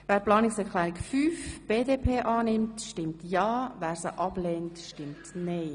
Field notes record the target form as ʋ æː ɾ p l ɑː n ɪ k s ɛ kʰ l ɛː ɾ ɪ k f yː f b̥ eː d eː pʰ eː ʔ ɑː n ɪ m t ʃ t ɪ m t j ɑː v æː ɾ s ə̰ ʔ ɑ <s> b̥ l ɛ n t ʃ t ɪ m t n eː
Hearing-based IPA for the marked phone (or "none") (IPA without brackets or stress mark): none